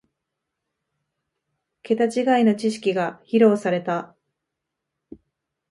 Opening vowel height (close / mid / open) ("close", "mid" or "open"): mid